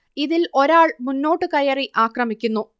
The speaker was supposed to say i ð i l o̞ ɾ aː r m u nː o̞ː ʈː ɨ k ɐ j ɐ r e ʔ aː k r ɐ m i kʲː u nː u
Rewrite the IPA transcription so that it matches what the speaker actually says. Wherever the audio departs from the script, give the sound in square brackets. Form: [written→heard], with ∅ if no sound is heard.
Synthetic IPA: i ð i l o̞ ɾ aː [r→ɭ] m u nː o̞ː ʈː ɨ k ɐ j ɐ r [e→i] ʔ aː k r ɐ m i kʲː u nː u